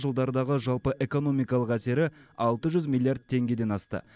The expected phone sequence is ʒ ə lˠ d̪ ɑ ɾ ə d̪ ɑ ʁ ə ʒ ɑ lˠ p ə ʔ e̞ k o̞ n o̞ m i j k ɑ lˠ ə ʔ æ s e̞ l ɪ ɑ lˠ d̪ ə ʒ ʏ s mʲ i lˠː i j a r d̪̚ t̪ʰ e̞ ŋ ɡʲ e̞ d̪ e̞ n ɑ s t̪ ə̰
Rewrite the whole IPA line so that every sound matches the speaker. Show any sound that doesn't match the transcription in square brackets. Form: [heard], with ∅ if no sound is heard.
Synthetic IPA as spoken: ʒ ə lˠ d̪ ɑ ɾ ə d̪ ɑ ʁ ə ʒ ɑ lˠ p ə ʔ e̞ k o̞ n o̞ m i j k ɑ lˠ ə [q] æ s e̞ [ɾ] ɪ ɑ lˠ [t̪] ə ʒ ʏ [z] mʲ i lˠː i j a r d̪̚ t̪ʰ e̞ ŋ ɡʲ e̞ d̪ e̞ n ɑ s t̪ ə̰